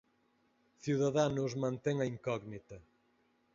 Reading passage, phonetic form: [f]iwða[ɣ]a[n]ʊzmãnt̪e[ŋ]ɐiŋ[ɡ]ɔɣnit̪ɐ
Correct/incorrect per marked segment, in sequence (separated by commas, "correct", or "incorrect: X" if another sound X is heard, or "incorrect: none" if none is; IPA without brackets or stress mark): incorrect: θ, incorrect: ð, correct, correct, incorrect: k